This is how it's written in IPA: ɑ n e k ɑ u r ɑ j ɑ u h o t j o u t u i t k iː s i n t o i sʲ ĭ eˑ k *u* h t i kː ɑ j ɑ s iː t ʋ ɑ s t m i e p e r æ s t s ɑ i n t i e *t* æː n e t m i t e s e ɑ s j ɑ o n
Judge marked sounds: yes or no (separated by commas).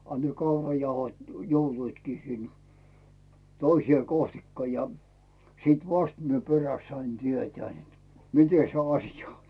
no, yes